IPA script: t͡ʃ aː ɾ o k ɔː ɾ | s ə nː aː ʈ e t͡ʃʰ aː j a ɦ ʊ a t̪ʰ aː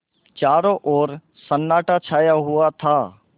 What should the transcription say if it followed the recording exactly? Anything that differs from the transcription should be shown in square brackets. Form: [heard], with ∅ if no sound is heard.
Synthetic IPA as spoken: t͡ʃ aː ɾ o [ʔ] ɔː ɾ | s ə nː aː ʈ [a] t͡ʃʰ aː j a ɦ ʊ a t̪ʰ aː